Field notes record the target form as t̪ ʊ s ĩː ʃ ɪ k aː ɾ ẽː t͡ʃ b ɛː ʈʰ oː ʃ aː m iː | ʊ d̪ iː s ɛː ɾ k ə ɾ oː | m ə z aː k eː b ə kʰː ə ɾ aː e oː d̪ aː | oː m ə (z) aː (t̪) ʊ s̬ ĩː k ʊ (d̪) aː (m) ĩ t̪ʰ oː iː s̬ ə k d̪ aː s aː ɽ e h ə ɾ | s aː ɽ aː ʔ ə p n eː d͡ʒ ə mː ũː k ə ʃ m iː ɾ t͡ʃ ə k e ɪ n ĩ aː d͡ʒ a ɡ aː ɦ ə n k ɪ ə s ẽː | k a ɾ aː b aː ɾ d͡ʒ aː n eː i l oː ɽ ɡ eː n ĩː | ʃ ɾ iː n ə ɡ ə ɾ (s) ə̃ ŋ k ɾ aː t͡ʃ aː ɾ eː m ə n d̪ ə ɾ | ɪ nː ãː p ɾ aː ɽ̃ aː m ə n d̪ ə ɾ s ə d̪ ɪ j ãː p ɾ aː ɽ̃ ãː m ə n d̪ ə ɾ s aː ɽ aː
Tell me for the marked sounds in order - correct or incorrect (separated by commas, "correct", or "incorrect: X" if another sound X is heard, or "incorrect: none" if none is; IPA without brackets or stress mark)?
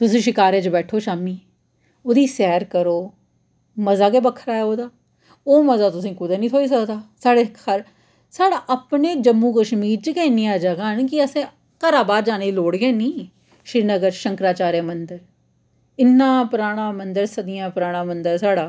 correct, correct, correct, incorrect: n, incorrect: ʃ